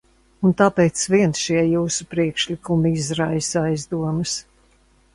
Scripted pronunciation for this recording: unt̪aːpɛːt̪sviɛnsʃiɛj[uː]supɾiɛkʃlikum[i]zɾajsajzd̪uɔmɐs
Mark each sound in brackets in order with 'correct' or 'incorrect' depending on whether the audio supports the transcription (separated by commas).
correct, correct